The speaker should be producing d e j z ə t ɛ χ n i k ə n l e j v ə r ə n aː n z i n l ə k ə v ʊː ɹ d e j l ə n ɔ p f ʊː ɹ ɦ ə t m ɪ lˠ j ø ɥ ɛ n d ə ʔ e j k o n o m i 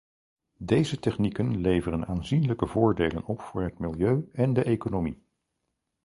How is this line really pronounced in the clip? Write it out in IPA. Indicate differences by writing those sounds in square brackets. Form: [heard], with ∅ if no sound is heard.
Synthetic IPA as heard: d e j z ə t ɛ χ n i k ə n l e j v ə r ə n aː n z i n l ə k ə v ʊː ɹ d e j l ə n ɔ p f ʊː ɹ ɦ ə t m ɪ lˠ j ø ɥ ɛ n d ə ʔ e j k o n o m i

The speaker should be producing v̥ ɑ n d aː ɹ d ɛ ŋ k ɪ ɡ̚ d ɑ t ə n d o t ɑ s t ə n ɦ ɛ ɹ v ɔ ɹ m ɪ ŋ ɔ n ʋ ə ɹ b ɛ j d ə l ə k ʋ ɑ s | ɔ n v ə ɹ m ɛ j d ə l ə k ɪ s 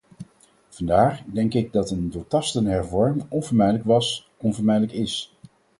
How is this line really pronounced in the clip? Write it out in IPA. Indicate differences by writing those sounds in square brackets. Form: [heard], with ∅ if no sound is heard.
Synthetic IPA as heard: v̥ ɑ n d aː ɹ d ɛ ŋ k ɪ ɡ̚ d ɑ t ə n d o t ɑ s t ə n ɦ ɛ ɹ v ɔ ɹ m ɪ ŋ ɔ n [v] ə ɹ [m] ɛ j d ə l ə k ʋ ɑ s | ɔ n v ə ɹ m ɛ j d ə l ə k ɪ s

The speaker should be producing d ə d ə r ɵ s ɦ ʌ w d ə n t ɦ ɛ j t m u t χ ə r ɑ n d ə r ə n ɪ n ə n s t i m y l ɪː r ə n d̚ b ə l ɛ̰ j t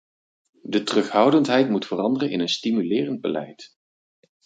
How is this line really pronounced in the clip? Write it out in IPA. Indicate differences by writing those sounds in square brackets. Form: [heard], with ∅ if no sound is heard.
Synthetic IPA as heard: d ə [t] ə r ɵ [χ] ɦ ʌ w d ə n t ɦ ɛ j t m u t [f] ə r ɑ n d ə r ə n ɪ n ə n s t i m y l ɪː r ə n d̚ b ə l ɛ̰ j t

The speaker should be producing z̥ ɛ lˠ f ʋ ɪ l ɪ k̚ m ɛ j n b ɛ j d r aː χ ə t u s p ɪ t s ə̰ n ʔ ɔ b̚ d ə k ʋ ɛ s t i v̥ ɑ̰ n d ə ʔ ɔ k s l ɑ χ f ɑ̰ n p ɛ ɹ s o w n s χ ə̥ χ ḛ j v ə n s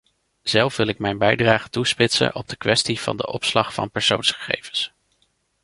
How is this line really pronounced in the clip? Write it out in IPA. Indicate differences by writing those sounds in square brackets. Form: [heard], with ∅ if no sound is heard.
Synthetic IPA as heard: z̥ ɛ lˠ f ʋ ɪ l ɪ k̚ m ɛ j n b ɛ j d r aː χ ə t u s p ɪ t s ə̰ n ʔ ɔ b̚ d ə k ʋ ɛ s t i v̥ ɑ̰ n d ə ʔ ɔ [p] s l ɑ χ f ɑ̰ n p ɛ ɹ s o w n s χ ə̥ χ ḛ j v ə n s

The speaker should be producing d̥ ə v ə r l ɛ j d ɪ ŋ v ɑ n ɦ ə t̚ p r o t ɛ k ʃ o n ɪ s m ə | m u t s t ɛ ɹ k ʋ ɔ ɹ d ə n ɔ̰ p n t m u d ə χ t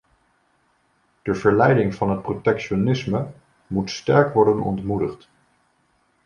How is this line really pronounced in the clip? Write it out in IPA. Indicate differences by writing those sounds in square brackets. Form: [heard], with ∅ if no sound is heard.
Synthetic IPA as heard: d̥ ə v ə [ɹ] l ɛ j d ɪ ŋ v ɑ n ɦ ə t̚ p r o t ɛ k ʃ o n ɪ s m ə | m u t s t ɛ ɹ k ʋ ɔ ɹ d ə n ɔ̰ [∅] n t m u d ə χ t

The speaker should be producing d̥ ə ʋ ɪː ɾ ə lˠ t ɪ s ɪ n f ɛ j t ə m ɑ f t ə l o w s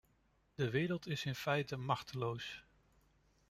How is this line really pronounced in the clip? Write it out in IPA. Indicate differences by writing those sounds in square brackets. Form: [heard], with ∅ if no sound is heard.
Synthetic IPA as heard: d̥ ə ʋ ɪː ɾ ə lˠ t ɪ s ɪ n f ɛ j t ə m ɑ [χ] t ə l o w s

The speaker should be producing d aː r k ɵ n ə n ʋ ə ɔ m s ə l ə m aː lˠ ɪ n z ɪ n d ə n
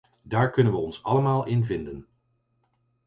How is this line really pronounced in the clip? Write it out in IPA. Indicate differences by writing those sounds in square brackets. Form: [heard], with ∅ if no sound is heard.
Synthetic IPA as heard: d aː [ɹ] k ɵ n ə n ʋ ə ɔ [n] s [ɑ] l ə m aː lˠ ɪ n [v] ɪ n d ə n

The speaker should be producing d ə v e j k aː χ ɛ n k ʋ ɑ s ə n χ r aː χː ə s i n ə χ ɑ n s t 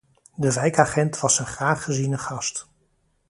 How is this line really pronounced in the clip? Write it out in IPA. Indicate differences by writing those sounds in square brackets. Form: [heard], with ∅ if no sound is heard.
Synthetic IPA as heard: d ə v [ɛ] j k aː χ ɛ n [t] ʋ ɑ s ə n χ r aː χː ə [z] i n ə χ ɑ [∅] s t

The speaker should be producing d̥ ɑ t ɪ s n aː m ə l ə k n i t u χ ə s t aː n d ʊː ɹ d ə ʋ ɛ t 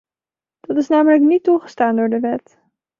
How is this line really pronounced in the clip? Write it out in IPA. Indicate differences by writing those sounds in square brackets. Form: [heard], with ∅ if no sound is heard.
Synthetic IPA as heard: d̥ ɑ t ɪ s n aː m ə l ə k n i t u χ ə s t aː n d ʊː ɹ d ə ʋ ɛ t

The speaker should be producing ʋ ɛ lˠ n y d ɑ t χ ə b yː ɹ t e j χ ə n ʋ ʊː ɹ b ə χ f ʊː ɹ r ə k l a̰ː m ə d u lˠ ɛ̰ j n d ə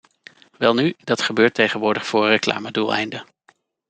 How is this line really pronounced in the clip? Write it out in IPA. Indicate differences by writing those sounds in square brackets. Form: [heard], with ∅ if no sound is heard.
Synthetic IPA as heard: ʋ ɛ lˠ n y d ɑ t χ ə b [øː] ɹ t e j χ ə n ʋ ʊː ɹ [d] ə χ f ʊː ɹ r ə k l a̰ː m ə d u lˠ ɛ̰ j n d ə

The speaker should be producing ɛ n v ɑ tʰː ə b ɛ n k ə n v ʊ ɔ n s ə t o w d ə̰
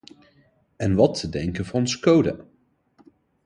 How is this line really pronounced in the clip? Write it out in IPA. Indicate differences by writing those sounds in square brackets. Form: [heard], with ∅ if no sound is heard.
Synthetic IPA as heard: ɛ n [ʋ] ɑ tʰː ə [d] ɛ [ŋ] k ə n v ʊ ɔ n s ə [k] o w d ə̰

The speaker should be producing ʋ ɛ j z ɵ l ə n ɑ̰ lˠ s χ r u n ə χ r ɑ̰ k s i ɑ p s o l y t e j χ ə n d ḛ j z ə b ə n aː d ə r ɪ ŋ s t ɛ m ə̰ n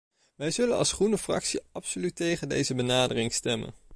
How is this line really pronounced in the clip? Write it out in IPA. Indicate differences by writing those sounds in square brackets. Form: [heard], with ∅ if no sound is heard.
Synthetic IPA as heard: ʋ ɛ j z ɵ l ə n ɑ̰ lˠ s χ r u n ə [f] r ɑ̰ k s i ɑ p s o l y t e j χ ə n d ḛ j z ə b ə n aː d ə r ɪ ŋ s t ɛ m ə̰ n

